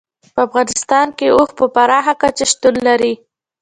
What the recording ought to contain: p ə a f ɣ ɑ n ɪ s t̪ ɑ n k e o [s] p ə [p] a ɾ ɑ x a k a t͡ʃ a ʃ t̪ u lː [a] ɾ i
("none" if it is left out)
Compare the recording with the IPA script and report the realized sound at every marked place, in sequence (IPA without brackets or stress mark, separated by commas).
x, p, a